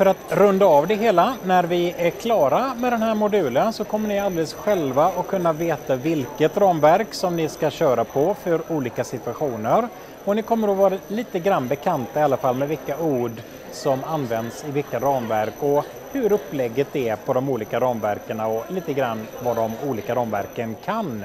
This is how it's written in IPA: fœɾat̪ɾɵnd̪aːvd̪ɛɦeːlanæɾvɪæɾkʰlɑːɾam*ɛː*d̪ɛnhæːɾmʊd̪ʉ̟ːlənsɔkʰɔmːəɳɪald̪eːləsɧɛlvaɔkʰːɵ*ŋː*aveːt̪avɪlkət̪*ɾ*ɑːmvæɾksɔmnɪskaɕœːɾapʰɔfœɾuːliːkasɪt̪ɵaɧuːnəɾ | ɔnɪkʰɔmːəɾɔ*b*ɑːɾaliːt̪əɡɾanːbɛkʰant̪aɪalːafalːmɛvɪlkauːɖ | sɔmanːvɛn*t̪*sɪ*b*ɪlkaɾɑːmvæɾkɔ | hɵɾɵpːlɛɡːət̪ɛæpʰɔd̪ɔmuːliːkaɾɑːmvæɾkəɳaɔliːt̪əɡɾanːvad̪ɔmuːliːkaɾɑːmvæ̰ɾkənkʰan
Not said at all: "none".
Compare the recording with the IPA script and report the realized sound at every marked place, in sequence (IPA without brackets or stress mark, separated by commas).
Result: ɛ, nː, ɾ, v, d̪, v